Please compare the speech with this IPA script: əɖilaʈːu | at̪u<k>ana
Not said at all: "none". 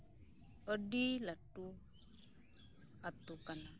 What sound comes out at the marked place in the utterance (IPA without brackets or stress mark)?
k